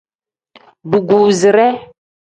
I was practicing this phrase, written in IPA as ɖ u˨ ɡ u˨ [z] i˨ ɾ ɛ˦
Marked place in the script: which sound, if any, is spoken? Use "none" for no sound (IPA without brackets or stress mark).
z